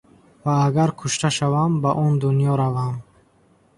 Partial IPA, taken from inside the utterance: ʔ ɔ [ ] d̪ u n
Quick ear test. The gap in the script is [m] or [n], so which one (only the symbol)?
n